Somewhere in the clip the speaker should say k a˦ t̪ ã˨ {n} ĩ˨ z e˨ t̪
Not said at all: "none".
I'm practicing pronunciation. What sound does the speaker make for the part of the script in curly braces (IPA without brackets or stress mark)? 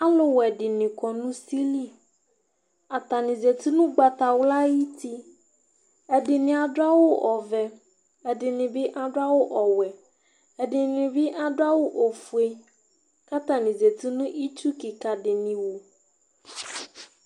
n